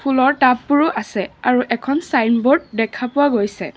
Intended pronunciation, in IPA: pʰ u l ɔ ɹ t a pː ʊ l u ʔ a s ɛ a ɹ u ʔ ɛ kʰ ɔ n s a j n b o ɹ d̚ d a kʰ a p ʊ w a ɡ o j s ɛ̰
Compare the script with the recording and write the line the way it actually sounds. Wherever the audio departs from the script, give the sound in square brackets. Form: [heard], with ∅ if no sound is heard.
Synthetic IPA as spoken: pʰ u l ɔ ɹ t a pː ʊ [ɹ] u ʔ a s ɛ a ɹ u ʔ ɛ kʰ ɔ n s a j n b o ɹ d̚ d [ɛ] kʰ a p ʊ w a ɡ o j s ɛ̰

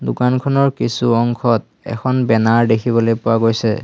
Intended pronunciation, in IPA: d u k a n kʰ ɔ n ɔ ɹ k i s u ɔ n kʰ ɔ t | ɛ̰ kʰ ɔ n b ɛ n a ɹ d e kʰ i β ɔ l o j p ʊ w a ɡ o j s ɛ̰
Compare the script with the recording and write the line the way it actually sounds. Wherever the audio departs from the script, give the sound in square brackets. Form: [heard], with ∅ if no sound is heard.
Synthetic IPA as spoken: d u k a n kʰ ɔ n ɔ ɹ k i s u ɔ [ŋ] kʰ ɔ t | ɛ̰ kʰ ɔ n b ɛ n a ɹ d e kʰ i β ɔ l o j p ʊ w a ɡ o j s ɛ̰

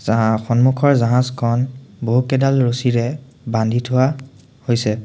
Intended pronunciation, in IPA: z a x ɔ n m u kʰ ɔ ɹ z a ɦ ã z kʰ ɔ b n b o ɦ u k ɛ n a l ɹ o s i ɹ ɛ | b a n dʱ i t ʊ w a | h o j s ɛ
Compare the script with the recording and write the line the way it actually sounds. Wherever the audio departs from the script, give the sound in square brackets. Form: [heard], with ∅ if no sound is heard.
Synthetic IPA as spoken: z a x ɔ n m u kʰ ɔ ɹ z a ɦ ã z kʰ ɔ [∅] n b o ɦ u k ɛ [d] a l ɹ o s i ɹ ɛ | b a n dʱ i [tʰ] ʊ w a | h o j s ɛ

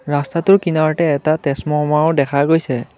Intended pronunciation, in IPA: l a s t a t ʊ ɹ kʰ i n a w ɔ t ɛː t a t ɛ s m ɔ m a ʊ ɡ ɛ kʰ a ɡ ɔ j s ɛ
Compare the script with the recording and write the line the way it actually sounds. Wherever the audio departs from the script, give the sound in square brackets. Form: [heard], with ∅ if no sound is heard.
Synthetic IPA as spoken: [ɹ] a s t a t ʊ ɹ [k] i n a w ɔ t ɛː t a t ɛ s m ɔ m a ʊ [d] ɛ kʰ a ɡ [o] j s ɛ

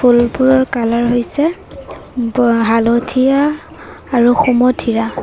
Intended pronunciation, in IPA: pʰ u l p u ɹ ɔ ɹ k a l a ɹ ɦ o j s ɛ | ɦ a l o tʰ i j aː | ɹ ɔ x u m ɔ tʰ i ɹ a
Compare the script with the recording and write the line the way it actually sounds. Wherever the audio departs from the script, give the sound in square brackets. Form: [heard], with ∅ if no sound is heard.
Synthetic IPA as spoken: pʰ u l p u ɹ ɔ ɹ k a l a ɹ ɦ o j s ɛ | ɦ a l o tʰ i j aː | ɹ [u] x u m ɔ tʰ i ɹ a

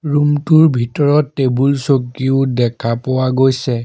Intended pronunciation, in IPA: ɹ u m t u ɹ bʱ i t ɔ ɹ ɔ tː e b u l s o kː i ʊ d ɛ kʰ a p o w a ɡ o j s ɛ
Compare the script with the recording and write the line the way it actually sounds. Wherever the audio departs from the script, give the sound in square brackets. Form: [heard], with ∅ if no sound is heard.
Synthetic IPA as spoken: ɹ u m t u ɹ bʱ i t ɔ ɹ ɔ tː e b u l s o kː i ʊ d ɛ kʰ a p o w a ɡ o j s ɛ

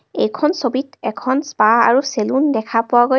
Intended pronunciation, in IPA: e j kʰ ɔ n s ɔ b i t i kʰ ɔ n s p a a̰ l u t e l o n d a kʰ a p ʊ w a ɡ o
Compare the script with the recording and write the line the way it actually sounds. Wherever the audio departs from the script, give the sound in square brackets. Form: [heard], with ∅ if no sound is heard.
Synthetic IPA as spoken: e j kʰ ɔ n s [o] b i t [ɛ] kʰ ɔ n s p a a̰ [ɹ] u [s] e l [u] n d [ɛ] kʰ a p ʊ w a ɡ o

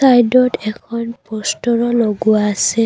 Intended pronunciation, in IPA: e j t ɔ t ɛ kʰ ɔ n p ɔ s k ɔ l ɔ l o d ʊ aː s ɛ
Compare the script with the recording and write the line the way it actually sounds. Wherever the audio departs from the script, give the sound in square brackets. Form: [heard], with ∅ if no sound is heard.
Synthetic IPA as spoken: [a] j [d] ɔ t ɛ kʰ ɔ n p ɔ s [t] ɔ [ɹ] ɔ l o [ɡ] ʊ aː s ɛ

